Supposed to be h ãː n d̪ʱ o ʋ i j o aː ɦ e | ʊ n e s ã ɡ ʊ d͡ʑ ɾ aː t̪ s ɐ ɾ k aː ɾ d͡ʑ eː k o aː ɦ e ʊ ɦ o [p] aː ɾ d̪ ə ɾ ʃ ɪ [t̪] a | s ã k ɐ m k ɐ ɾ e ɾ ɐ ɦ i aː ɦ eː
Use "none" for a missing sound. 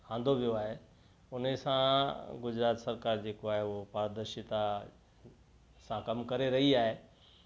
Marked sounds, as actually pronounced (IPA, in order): p, t̪

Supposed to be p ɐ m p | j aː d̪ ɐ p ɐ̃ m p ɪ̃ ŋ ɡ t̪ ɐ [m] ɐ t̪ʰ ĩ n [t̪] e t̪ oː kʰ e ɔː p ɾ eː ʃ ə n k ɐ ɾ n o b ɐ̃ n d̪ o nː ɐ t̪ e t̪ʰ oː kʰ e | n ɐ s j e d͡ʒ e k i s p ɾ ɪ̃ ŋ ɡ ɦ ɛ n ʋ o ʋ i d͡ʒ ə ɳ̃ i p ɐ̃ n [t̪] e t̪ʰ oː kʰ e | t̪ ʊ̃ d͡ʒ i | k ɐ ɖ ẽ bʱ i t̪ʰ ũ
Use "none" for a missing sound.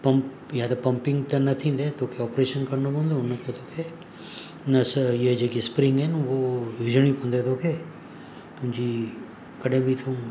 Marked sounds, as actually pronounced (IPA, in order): n, d̪, d̪

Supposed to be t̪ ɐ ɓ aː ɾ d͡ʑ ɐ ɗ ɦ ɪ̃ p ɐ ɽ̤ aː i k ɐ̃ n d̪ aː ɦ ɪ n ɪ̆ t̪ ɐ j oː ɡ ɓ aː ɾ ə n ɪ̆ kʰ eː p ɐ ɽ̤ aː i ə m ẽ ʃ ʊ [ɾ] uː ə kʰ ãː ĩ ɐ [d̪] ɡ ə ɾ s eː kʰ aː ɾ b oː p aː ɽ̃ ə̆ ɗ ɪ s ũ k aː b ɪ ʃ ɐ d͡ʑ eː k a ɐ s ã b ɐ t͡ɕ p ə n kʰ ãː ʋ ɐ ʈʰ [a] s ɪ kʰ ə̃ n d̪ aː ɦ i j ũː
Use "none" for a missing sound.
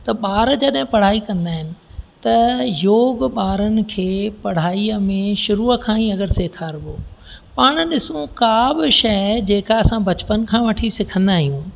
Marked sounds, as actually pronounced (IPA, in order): ɾ, none, i

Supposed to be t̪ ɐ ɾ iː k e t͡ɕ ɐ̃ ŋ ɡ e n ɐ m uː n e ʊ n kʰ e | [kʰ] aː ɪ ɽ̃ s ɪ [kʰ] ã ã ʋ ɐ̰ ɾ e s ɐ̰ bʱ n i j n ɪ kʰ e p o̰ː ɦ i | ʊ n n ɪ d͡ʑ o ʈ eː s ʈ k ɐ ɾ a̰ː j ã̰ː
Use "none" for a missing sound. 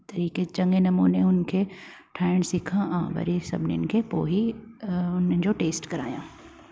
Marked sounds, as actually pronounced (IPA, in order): ʈʰ, kʰ

